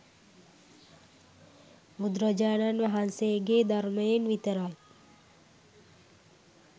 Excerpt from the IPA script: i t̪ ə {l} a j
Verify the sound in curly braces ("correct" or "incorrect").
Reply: incorrect